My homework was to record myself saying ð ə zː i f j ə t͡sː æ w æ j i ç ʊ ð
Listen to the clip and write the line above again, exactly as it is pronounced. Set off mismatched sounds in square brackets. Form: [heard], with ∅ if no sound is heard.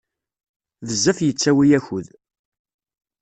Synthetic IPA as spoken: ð ə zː [æ] f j ə t͡sː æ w [i] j [æ] ç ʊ ð